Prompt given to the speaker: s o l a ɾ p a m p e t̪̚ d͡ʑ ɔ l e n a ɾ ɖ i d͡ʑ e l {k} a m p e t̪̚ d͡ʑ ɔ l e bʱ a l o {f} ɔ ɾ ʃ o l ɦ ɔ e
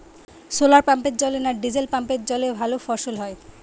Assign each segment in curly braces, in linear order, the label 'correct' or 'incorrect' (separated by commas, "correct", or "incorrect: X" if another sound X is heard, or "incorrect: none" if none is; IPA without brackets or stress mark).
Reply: incorrect: p, correct